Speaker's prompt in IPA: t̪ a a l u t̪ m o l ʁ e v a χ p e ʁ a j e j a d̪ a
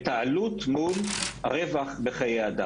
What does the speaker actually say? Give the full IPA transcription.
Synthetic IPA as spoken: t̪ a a l u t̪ m u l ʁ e v a χ b e χ a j e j a d̪ a